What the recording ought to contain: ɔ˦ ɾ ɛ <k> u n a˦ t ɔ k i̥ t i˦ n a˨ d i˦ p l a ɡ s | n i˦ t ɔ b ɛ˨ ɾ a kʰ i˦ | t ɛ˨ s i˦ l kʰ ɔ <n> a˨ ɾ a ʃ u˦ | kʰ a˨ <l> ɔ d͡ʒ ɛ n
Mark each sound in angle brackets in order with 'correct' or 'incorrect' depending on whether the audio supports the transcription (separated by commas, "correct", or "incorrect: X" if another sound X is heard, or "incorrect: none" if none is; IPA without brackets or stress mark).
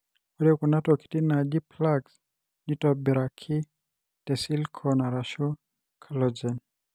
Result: correct, correct, correct